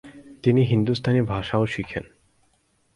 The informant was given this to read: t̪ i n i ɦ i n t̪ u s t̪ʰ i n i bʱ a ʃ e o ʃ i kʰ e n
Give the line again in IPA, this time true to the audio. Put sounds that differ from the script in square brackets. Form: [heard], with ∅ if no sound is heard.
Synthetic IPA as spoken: t̪ i n i ɦ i n [d̪] u s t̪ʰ [a] n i bʱ a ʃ [a] o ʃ i kʰ e n